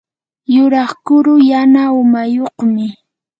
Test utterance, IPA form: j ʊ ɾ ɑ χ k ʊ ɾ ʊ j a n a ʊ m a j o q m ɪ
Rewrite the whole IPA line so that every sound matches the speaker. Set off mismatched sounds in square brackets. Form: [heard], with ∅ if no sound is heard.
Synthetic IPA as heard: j ʊ ɾ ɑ χ k ʊ ɾ ʊ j a n a ʊ m a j o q m ɪ